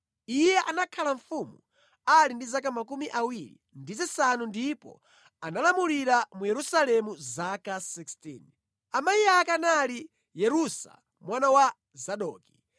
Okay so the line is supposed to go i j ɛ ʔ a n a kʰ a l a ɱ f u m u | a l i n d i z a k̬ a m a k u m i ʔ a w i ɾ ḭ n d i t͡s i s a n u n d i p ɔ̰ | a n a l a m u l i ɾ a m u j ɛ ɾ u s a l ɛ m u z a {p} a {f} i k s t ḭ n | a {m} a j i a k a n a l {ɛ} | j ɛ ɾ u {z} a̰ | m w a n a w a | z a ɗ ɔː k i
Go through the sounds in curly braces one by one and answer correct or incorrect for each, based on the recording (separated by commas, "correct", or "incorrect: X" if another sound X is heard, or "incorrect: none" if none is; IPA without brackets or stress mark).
incorrect: k, incorrect: s, correct, incorrect: i, incorrect: s